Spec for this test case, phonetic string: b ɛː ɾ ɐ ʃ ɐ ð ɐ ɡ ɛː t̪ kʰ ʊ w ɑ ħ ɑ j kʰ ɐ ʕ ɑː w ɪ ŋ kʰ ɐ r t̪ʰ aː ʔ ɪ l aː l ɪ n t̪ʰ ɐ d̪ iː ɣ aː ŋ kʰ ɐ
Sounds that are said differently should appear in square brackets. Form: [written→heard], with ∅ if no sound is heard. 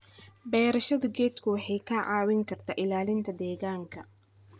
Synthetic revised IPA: b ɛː ɾ ɐ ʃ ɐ ð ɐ ɡ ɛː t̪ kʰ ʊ w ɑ ħ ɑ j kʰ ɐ ʕ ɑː w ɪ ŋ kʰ ɐ r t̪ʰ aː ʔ ɪ l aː l ɪ n t̪ʰ ɐ d̪ [iː→ɛː] ɣ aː ŋ kʰ ɐ